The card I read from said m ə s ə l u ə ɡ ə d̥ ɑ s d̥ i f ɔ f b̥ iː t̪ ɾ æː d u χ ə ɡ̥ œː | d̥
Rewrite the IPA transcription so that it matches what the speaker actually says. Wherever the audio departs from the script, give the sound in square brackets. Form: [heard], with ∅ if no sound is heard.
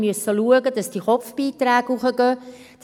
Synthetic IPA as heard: m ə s ə l u ə ɡ ə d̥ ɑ s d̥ i [χ] ɔ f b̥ iː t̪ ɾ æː [ɡ] u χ ə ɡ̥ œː | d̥